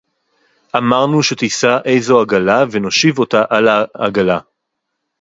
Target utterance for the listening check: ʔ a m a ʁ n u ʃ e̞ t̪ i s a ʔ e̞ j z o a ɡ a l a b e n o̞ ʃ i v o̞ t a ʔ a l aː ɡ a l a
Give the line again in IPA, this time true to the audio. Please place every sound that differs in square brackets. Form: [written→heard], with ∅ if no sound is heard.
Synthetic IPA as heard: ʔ a m a ʁ n u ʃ e̞ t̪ i s a ʔ e̞ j z o a ɡ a l a [b→v] e n o̞ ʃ i v o̞ t a ʔ a l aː ɡ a l a